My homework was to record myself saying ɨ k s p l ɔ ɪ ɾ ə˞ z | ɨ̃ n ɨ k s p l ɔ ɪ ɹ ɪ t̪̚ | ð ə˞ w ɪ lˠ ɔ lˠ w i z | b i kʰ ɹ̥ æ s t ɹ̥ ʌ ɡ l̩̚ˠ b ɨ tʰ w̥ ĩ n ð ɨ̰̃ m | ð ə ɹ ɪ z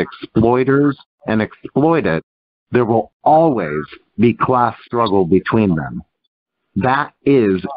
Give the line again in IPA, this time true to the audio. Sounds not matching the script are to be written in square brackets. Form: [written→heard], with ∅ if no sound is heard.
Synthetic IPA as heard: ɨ k s p l ɔ ɪ ɾ ə˞ z | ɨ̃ n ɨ k s p l ɔ ɪ [ɹ→ɾ] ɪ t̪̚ | ð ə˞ w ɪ lˠ ɔ lˠ w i z | b i kʰ [ɹ̥→l̥] æ s t ɹ̥ ʌ ɡ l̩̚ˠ b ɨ tʰ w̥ ĩ n ð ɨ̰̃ m | ð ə [ɹ→ɾ] ɪ z